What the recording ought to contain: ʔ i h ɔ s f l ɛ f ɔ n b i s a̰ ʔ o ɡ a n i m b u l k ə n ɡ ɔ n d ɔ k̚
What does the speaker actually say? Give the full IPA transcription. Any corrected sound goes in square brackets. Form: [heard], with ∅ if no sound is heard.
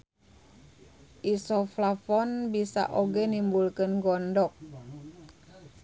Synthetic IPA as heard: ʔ i [s] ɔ [∅] f l [a] f ɔ n b i s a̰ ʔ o ɡ [ɛ] n i m b u l k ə n ɡ ɔ n d ɔ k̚

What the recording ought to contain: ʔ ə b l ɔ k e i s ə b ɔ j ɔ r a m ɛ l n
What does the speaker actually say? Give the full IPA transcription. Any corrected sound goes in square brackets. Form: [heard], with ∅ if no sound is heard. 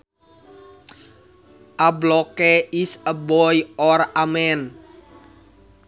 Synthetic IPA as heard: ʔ [a] b l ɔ k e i s ə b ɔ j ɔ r a m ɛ [∅] n

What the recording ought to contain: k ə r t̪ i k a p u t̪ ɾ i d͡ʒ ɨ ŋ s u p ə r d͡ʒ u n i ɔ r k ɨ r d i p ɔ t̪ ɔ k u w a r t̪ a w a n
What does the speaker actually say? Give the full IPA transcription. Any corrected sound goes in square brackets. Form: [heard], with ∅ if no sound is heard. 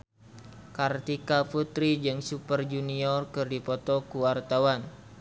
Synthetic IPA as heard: k [a] r t̪ i k a p u t̪ ɾ i d͡ʒ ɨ ŋ s u p ə r d͡ʒ u n i ɔ r k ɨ r d i p ɔ t̪ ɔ k u w a r t̪ a w a n

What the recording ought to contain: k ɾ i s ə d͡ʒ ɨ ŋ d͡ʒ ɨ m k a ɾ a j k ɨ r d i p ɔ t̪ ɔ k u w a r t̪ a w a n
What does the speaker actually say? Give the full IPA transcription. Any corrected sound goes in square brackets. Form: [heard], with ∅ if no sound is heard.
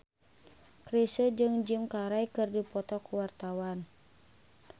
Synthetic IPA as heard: k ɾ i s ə d͡ʒ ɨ ŋ d͡ʒ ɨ m k a ɾ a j k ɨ r d i p ɔ t̪ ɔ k u w a r t̪ a w a n

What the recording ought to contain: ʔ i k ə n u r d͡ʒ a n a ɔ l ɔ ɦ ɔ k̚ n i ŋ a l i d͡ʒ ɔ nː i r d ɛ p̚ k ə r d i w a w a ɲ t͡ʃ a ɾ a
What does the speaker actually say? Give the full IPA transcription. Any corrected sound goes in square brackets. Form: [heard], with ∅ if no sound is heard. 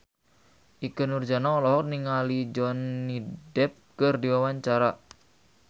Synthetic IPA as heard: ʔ i k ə n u r d͡ʒ a n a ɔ l ɔ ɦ ɔ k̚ n i ŋ a l i d͡ʒ ɔ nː i [∅] d ɛ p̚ k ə r d i w a w a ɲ t͡ʃ a ɾ a

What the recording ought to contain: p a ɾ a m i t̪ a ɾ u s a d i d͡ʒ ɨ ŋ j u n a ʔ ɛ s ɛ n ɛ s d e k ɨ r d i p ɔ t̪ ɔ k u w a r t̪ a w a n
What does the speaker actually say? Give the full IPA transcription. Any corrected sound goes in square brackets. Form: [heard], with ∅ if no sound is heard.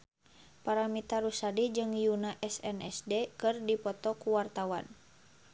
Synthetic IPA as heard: p a ɾ a m i t̪ a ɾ u s a d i d͡ʒ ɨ ŋ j u n a ʔ ɛ s ɛ n ɛ s d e k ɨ r d i p ɔ t̪ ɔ k u w a r t̪ a w a n

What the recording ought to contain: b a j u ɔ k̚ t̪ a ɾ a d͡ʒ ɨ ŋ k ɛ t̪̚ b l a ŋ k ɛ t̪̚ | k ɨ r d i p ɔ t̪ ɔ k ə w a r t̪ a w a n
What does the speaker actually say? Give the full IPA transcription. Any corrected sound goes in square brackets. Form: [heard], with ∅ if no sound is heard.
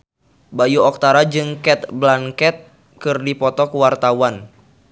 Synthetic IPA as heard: b a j u ɔ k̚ t̪ a ɾ a d͡ʒ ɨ ŋ k ɛ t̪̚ b l a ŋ k ɛ t̪̚ | k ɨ r d i p ɔ t̪ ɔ k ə w a r t̪ a w a n

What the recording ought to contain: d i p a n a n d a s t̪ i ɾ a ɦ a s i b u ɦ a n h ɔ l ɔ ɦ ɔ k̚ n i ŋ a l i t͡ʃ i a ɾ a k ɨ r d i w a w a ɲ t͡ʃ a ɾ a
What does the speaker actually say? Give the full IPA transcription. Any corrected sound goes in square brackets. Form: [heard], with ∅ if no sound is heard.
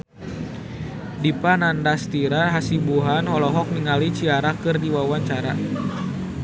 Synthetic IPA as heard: d i p a n a n d a s t̪ i ɾ a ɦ a s i b u ɦ a n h ɔ l ɔ ɦ ɔ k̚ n i ŋ a l i t͡ʃ i a ɾ a k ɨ r d i w a w a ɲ t͡ʃ a ɾ a

